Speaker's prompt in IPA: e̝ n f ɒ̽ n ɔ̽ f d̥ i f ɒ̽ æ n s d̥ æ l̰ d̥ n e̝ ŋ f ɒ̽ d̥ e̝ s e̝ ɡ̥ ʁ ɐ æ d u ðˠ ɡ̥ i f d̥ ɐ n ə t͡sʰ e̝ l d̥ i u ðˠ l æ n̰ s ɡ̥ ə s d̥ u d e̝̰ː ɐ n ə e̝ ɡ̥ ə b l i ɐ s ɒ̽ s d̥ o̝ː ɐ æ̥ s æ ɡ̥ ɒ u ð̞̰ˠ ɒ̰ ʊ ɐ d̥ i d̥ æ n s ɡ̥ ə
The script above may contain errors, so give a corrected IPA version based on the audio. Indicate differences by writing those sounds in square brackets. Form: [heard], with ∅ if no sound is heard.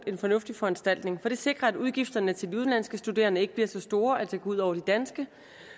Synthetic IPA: e̝ n f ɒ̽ n ɔ̽ f d̥ i f ɒ̽ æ n s d̥ æ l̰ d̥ n e̝ ŋ f ɒ̽ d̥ e̝ s e̝ ɡ̥ ʁ ɐ æ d u ðˠ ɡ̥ i f d̥ ɐ n ə t͡sʰ e̝ l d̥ i u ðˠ l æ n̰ s ɡ̥ ə s d̥ u d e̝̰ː ɐ n ə e̝ ɡ̥ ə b l i ɐ s ɒ̽ s d̥ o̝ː ɐ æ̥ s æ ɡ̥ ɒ u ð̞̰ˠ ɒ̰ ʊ ɐ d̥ i d̥ æ n s ɡ̥ ə